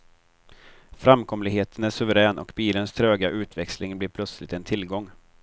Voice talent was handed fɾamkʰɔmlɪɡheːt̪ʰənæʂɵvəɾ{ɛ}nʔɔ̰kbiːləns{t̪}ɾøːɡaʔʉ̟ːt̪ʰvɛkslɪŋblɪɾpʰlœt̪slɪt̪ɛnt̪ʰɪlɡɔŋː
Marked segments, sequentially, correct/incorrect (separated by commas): incorrect, incorrect